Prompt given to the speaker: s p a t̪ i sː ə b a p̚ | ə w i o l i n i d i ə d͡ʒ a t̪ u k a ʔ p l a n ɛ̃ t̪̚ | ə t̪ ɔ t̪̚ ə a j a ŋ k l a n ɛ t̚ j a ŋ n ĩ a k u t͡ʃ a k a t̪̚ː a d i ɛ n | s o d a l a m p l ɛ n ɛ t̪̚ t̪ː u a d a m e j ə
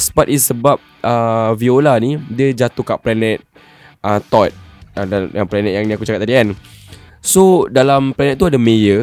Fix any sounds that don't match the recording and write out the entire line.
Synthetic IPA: s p a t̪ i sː ə b a p̚ | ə v i o l a n i d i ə d͡ʒ a t̪ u k a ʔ p l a n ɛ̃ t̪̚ | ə t̪ ɔ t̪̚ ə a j a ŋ p l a n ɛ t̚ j a ŋ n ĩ a k u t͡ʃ a k a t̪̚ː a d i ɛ n | s o d a l a m p l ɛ n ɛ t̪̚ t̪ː u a d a m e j ə